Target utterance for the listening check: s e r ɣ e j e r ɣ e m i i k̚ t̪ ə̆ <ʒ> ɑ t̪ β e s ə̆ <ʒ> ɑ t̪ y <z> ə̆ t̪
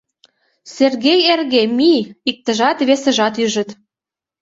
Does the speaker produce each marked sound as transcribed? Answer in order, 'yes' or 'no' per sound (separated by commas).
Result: yes, yes, no